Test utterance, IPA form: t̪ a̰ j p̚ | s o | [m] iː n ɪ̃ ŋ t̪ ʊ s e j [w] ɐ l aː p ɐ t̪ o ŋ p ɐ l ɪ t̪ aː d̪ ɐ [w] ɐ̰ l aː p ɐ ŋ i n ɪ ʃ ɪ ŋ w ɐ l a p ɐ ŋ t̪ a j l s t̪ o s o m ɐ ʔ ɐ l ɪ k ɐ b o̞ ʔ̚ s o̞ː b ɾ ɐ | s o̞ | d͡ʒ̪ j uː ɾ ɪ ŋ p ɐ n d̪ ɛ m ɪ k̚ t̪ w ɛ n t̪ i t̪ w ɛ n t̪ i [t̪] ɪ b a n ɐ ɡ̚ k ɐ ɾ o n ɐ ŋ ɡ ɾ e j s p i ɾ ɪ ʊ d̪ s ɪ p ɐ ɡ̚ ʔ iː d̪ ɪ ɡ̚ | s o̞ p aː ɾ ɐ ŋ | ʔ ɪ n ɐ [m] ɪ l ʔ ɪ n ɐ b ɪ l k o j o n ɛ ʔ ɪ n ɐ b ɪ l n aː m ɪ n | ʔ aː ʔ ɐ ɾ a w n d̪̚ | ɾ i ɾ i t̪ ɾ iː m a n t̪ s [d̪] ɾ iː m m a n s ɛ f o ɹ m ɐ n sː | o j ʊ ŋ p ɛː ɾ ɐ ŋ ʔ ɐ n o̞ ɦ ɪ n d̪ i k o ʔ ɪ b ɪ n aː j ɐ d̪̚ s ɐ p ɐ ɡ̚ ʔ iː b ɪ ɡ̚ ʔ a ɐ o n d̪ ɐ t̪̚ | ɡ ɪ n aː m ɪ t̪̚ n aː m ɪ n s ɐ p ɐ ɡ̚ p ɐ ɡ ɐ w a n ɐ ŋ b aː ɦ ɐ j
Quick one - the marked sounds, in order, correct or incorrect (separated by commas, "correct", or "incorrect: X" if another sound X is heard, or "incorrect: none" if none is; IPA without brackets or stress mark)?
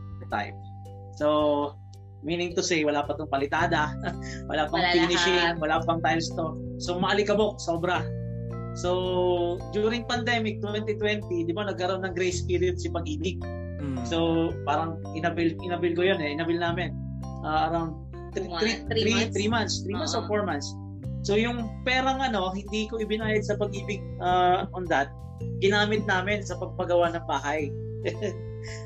correct, correct, correct, incorrect: d̪, incorrect: b, incorrect: t̪